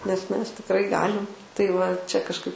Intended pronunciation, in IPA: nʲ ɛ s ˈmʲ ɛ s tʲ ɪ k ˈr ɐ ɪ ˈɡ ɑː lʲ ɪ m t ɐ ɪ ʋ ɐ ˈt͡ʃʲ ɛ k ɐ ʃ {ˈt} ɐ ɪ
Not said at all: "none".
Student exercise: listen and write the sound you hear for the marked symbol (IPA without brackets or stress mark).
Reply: k